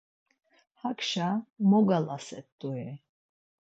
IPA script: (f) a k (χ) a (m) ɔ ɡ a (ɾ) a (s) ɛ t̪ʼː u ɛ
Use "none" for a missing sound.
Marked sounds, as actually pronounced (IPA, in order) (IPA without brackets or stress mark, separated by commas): h, ʃ, m, l, s